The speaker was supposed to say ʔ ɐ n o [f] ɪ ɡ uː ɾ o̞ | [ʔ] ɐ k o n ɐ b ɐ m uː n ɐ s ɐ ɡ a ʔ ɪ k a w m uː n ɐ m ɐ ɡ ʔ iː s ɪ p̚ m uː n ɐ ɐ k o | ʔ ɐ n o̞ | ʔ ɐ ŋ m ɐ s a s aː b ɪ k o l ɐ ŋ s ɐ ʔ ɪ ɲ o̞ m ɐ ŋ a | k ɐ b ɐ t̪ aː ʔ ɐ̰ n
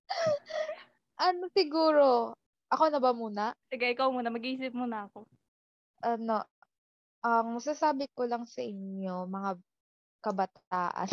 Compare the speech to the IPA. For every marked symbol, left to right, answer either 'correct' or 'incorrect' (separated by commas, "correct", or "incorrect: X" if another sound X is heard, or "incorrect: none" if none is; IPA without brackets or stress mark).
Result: incorrect: s, correct